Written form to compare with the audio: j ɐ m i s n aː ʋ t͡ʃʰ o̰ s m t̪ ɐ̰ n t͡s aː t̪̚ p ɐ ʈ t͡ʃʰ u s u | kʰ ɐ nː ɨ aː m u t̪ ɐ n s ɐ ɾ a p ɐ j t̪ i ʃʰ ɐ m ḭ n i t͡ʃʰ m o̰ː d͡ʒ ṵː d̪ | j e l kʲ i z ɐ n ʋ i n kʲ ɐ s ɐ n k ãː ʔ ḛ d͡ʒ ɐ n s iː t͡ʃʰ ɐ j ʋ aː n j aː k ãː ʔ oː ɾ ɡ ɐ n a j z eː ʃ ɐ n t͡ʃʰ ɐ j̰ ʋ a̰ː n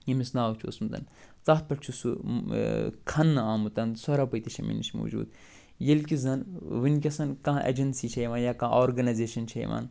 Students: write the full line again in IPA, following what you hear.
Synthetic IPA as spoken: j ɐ m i s n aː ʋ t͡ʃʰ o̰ s m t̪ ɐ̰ n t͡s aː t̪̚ p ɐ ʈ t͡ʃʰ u s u | kʰ ɐ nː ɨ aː m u t̪ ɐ n s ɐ ɾ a p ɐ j t̪ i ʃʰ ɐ m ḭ n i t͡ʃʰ m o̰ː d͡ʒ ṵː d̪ | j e l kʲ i z ɐ n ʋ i n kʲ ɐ s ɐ n k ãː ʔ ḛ d͡ʒ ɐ n s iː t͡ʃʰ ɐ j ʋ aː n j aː k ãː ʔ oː ɾ ɡ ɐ n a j z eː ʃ ɐ n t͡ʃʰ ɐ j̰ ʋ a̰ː n